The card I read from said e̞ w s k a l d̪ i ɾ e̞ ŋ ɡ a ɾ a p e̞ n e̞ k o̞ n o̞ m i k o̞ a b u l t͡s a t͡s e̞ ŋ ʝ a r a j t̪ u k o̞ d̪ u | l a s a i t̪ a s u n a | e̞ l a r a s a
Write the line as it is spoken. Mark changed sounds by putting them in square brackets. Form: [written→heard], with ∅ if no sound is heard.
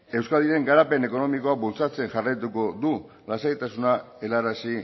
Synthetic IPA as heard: e̞ w s k a l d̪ i ɾ e̞ ŋ ɡ a ɾ a p e̞ n e̞ k o̞ n o̞ m i k o̞ a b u l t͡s a t͡s e̞ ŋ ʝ a r a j t̪ u k o̞ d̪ u | l a s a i t̪ a s u n a | e̞ l a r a s [a→i]